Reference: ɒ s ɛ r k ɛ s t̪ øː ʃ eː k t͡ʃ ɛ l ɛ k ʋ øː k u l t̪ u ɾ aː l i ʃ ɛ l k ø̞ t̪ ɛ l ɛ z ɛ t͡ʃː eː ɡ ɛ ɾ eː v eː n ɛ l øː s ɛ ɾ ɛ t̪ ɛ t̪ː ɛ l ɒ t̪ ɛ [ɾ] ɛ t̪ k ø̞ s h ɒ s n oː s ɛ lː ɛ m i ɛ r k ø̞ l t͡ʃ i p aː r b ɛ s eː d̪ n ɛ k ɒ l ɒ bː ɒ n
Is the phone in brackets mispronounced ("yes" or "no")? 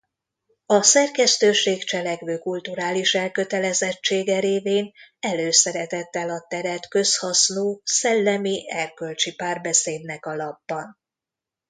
no